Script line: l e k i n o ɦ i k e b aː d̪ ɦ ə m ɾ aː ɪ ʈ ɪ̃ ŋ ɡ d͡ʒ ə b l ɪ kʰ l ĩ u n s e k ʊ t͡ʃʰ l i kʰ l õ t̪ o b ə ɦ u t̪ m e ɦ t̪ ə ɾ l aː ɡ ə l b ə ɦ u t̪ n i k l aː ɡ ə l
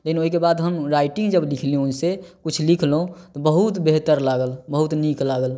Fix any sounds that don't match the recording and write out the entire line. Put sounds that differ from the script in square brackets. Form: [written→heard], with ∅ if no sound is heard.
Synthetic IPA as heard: l e k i n o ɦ i k e b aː d̪ ɦ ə m ɾ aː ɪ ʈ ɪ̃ ŋ ɡ d͡ʒ ə b l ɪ kʰ l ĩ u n s e k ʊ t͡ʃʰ l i kʰ l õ t̪ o b ə ɦ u t̪ [m→b] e ɦ t̪ ə ɾ l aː ɡ ə l b ə ɦ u t̪ n i k l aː ɡ ə l